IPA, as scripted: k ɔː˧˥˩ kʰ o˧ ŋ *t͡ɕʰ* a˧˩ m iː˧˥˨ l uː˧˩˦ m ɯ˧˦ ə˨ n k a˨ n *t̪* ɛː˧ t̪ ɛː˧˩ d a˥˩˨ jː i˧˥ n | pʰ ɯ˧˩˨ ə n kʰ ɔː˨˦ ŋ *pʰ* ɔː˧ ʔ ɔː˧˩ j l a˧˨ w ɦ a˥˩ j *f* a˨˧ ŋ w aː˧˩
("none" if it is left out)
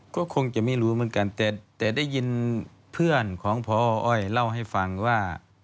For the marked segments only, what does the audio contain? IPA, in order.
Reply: t͡ɕ, t̪, pʰ, f

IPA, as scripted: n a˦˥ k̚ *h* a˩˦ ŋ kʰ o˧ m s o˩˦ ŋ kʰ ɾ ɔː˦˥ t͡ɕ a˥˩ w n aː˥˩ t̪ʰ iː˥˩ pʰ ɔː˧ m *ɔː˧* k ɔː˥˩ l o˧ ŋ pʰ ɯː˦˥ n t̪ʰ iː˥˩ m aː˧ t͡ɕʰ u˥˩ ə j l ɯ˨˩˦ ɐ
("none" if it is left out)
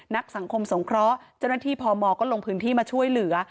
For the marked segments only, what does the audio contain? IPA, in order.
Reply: s, ɔː˧

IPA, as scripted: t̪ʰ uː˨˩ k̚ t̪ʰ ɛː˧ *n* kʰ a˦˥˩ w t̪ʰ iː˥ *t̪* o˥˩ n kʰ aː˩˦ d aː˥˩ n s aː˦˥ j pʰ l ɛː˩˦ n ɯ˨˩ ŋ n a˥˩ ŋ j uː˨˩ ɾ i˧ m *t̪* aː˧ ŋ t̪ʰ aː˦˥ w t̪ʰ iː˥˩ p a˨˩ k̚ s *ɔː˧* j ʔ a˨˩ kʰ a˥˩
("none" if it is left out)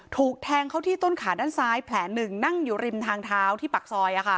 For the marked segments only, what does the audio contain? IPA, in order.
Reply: ŋ, t̪, t̪ʰ, ɔː˧

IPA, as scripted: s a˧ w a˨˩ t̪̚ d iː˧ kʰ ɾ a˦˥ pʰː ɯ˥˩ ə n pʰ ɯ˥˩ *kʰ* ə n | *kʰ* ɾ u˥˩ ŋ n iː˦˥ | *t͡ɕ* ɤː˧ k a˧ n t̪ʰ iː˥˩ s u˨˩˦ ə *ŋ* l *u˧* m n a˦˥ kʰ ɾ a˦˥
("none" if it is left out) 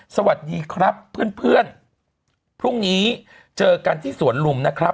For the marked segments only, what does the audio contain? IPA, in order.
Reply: none, pʰ, t͡ɕ, n, u˧

